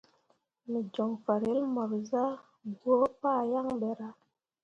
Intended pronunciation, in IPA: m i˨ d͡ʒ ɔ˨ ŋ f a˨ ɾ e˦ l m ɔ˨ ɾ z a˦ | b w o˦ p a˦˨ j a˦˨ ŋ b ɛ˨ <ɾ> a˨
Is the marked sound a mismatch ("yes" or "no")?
no